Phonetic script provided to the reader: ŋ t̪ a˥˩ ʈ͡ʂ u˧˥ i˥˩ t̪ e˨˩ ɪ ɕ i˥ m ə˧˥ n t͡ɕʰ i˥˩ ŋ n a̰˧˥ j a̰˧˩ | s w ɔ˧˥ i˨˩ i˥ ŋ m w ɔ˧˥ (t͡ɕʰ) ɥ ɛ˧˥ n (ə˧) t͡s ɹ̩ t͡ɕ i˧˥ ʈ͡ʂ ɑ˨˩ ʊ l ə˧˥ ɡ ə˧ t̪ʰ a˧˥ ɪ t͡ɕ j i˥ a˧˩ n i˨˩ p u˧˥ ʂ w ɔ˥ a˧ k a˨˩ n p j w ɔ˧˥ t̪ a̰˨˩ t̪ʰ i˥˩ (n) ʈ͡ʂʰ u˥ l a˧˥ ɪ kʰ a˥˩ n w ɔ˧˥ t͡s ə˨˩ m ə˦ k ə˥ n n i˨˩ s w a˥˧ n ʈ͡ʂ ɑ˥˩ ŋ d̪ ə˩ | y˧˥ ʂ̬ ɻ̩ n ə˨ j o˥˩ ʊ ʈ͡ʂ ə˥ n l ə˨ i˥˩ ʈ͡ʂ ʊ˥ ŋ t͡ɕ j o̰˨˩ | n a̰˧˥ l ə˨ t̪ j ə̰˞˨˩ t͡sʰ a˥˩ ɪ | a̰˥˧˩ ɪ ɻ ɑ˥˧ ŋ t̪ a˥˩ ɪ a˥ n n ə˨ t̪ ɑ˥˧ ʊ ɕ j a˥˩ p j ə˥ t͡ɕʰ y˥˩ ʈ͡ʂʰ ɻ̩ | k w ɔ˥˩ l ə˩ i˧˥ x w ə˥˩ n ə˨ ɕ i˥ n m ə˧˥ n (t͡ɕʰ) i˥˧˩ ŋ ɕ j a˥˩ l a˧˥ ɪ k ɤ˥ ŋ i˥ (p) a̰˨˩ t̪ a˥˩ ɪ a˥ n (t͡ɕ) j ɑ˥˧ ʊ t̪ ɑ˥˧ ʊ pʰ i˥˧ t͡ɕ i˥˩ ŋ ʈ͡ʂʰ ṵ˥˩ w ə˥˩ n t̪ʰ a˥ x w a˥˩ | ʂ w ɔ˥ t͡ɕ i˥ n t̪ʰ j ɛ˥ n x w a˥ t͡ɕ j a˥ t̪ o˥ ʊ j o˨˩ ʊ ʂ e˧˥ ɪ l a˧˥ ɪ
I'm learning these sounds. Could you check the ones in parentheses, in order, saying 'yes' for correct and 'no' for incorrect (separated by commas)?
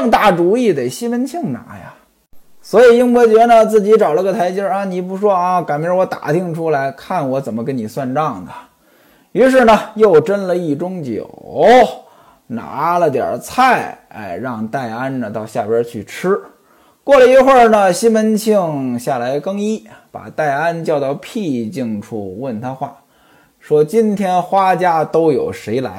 no, yes, no, yes, yes, yes